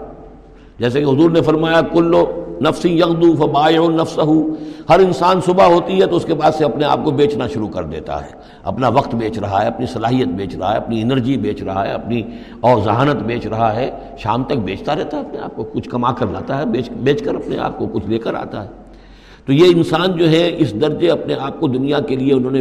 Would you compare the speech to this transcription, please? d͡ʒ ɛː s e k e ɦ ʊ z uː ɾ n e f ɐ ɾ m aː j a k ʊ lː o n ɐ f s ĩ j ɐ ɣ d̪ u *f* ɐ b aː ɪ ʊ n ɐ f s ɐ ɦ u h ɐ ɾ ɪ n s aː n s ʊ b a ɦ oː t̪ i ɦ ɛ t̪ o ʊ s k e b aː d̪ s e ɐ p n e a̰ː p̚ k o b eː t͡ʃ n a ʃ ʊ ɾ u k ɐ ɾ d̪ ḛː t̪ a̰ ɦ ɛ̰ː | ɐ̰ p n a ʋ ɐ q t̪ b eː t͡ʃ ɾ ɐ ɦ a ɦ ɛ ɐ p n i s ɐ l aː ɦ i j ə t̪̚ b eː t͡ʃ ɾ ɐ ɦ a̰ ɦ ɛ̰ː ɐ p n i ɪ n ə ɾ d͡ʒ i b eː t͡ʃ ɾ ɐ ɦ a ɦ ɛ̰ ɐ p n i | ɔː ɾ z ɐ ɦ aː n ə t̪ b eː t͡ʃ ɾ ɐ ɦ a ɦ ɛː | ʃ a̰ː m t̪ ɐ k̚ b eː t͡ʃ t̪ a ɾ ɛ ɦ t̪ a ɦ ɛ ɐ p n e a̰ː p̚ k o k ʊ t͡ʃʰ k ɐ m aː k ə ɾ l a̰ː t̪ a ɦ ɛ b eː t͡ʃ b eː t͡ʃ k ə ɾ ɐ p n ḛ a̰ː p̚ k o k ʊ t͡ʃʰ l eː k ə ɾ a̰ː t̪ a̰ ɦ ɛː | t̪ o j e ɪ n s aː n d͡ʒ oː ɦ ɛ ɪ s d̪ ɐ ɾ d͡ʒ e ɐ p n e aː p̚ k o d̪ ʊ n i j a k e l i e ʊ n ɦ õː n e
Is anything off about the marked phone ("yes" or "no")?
no